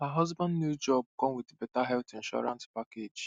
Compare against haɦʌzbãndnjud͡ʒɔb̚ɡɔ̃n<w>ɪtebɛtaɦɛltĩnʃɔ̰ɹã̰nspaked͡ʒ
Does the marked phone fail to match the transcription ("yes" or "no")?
no